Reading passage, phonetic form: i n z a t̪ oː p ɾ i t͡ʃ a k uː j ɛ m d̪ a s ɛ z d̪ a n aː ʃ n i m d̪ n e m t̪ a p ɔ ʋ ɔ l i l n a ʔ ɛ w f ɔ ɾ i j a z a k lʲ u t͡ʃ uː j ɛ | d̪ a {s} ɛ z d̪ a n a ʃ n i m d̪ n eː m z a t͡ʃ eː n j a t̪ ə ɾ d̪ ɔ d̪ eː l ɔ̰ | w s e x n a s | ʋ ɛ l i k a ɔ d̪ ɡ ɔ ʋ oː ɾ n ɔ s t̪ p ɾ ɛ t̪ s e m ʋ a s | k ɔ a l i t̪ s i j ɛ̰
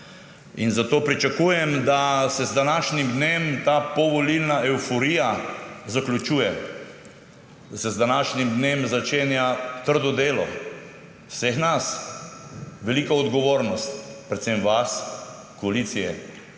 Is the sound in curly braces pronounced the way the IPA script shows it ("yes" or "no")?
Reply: yes